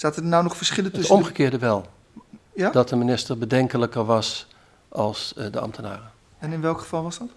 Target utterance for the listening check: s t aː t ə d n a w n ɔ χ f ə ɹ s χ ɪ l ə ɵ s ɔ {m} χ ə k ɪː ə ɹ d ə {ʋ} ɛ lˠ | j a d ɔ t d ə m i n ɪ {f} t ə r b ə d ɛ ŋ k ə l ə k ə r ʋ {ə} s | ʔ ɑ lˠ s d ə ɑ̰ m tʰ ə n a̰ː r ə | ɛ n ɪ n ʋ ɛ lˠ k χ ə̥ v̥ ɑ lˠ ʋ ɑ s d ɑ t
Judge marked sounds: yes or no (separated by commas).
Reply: yes, yes, no, no